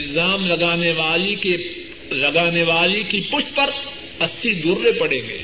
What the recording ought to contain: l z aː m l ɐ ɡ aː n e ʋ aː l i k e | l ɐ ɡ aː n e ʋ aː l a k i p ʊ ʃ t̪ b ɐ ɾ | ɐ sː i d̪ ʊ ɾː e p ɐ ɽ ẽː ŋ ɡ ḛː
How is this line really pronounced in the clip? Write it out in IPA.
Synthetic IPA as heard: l z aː m l ɐ ɡ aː n e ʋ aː l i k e | l ɐ ɡ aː n e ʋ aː l i k i p ʊ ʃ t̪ p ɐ ɾ | ɐ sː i d̪ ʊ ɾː e p ɐ ɽ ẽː ŋ ɡ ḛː